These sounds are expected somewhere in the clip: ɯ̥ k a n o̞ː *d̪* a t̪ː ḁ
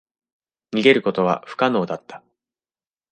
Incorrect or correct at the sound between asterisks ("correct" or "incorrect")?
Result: correct